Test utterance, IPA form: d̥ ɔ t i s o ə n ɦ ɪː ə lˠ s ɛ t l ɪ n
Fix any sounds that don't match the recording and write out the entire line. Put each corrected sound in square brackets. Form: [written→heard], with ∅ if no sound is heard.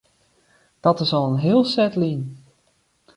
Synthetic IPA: d̥ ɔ t [i→ɪ] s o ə n ɦ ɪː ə lˠ s ɛ t l [ɪ→i] n